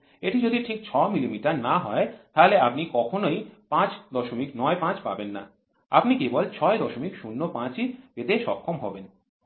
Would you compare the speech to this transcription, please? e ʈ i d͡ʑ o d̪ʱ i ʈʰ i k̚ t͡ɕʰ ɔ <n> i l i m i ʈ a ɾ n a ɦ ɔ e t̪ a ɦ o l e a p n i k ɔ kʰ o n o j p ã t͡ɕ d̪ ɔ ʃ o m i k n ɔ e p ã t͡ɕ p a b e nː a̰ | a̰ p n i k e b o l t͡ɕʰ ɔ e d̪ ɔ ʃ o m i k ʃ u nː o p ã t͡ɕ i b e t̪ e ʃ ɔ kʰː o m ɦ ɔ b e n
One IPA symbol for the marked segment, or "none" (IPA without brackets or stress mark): m